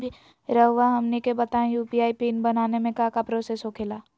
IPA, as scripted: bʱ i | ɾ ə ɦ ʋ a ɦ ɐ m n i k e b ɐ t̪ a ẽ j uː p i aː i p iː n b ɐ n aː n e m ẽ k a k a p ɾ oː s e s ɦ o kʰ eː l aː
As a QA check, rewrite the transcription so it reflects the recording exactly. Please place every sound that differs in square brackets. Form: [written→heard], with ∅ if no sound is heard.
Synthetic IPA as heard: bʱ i | ɾ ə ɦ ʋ a ɦ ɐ m n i k e b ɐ t̪ a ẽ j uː p i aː i p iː n b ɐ n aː n e m ẽ k a k a p ɾ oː s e s ɦ o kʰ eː l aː

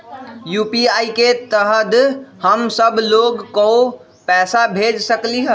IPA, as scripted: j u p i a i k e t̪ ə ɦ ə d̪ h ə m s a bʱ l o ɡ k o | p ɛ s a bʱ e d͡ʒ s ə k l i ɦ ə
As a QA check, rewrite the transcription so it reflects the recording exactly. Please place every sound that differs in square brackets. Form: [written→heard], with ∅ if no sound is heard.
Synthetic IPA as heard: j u p i a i k e t̪ ə ɦ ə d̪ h ə m s [a→ə] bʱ l o ɡ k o | p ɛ s a bʱ e d͡ʒ s ə k l i ɦ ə

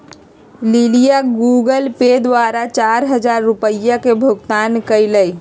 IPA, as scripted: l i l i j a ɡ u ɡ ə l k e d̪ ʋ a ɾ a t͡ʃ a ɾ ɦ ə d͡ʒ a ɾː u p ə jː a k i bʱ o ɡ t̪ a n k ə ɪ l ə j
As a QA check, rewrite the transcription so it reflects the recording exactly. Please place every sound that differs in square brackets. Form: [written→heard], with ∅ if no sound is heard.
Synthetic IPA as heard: l i l i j a ɡ u ɡ ə l [k→p] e d̪ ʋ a ɾ a t͡ʃ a ɾ ɦ ə d͡ʒ a ɾː u p ə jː a k [i→e] bʱ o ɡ t̪ a n k ə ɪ l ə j

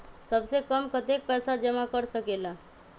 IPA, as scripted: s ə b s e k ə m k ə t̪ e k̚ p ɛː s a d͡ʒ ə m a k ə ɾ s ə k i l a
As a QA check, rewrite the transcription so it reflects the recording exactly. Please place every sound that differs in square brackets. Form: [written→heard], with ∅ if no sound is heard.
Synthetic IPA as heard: s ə b s e k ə m k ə t̪ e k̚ p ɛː s a d͡ʒ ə m a k ə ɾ s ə k [i→e] l a

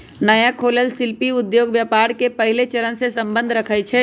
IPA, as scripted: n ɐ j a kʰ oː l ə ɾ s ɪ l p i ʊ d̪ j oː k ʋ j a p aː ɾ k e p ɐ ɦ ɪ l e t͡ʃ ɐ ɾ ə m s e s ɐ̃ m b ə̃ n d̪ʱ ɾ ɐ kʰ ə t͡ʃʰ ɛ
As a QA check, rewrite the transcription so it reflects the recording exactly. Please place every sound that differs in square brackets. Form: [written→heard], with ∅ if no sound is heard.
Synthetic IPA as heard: n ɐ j a kʰ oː l ə [ɾ→l] s ɪ l p i ʊ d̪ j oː [k→ɡ] ʋ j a p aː ɾ k e p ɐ ɦ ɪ l e t͡ʃ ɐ ɾ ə [m→n] s e s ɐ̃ m b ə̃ n d̪ʱ ɾ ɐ kʰ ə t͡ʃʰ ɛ

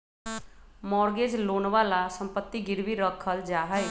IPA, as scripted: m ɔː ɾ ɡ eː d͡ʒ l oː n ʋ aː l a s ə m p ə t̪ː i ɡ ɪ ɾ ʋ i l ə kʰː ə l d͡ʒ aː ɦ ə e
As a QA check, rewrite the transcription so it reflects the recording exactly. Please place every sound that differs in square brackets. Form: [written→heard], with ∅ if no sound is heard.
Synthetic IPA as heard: m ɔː ɾ ɡ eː d͡ʒ l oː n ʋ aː l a s ə m p ə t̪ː i ɡ ɪ ɾ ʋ i [l→ɾ] ə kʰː ə l d͡ʒ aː ɦ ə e

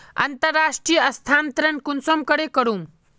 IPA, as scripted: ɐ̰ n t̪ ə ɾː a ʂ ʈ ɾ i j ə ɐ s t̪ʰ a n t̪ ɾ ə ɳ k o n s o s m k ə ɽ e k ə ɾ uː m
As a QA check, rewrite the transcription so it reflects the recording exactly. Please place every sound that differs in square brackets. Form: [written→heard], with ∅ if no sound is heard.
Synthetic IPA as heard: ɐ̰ n t̪ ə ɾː a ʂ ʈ ɾ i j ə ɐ s t̪ʰ a n t̪ ɾ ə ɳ k [o→u] n s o [s→∅] m k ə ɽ e k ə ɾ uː m

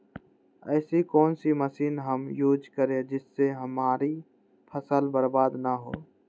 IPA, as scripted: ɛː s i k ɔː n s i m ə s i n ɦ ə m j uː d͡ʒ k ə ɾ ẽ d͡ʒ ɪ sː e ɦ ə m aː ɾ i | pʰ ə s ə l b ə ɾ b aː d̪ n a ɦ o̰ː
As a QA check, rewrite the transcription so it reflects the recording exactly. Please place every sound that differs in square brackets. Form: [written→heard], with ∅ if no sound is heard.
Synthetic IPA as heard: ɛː s i k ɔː n s i m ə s [i→iː] n ɦ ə m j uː d͡ʒ k ə ɾ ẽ d͡ʒ ɪ sː e ɦ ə m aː ɾ i | pʰ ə s ə l b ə ɾ b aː d̪ n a ɦ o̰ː

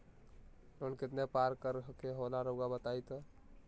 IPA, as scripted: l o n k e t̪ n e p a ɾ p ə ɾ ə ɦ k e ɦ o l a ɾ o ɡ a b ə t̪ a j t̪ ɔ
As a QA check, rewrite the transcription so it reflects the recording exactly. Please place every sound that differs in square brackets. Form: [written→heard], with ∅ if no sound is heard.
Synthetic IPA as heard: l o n k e t̪ n e p a ɾ [p→k] ə ɾ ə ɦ k e ɦ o l a ɾ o ɡ a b ə t̪ a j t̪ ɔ

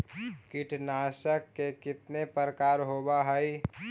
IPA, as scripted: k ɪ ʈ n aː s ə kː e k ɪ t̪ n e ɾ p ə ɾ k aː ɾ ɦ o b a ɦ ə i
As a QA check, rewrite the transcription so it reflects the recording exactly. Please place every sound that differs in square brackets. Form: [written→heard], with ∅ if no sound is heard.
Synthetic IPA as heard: k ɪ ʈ n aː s ə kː e k ɪ t̪ n e [ɾ→∅] p ə ɾ k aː ɾ ɦ o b a ɦ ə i

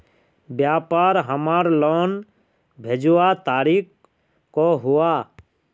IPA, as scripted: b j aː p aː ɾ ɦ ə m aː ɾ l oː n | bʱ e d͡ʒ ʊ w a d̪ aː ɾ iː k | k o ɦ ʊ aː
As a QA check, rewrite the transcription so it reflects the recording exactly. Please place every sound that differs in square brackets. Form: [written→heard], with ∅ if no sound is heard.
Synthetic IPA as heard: b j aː p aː ɾ ɦ ə m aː ɾ l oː n | bʱ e d͡ʒ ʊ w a [d̪→t̪] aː ɾ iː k | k o ɦ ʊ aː

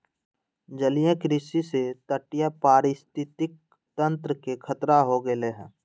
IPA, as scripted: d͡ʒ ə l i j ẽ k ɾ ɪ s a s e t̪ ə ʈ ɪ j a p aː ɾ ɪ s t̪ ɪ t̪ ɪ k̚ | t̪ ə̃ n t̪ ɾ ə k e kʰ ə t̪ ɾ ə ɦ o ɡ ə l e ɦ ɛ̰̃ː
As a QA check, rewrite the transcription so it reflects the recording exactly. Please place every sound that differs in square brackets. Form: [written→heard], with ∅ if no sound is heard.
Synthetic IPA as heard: d͡ʒ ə l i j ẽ k ɾ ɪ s [a→i] s e t̪ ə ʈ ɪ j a p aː ɾ ɪ s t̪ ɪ t̪ ɪ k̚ | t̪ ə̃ n t̪ ɾ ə k e kʰ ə t̪ ɾ [ə→a] ɦ o ɡ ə l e ɦ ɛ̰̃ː

